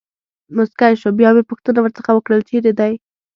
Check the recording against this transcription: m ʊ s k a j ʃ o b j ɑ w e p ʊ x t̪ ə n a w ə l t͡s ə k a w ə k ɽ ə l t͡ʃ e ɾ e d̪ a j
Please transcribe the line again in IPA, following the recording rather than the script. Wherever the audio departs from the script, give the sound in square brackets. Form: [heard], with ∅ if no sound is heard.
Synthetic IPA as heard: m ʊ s k a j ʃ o b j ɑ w e p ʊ x t̪ ə n a w ə [ɾ] t͡s ə [x] a w ə k ɽ ə l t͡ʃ e ɾ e d̪ a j